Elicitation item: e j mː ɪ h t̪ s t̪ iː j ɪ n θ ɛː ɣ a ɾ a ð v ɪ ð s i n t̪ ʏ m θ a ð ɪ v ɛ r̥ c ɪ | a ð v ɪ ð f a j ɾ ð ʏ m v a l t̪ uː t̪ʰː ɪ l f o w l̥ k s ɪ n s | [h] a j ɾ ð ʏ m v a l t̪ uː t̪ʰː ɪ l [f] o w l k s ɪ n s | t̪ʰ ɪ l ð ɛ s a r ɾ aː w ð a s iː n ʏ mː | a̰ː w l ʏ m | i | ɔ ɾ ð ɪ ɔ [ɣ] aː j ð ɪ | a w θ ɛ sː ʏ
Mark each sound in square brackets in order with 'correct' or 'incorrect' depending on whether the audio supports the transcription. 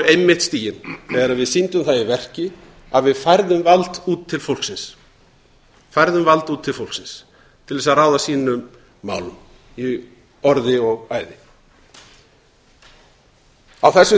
incorrect: f, correct, correct

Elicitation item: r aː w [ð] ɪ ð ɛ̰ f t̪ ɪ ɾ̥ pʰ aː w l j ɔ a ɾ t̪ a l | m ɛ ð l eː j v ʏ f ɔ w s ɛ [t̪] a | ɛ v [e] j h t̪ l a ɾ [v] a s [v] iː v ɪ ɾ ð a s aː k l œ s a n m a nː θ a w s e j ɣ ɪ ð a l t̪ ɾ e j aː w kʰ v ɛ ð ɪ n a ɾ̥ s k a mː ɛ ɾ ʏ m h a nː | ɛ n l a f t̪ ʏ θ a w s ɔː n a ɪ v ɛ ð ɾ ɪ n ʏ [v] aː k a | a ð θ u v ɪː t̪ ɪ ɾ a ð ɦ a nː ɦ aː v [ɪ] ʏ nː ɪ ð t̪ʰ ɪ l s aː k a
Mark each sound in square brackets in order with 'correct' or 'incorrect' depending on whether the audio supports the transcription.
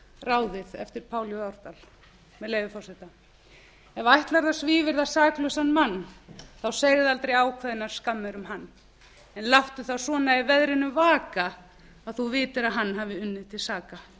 correct, correct, incorrect: a, incorrect: ð, correct, correct, correct

